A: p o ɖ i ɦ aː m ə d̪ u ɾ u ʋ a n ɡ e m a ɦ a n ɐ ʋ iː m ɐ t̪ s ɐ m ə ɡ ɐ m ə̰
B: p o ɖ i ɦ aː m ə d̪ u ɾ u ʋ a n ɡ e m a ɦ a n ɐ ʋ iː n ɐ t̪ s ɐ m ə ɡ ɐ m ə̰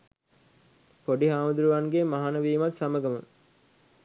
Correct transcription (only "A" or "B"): A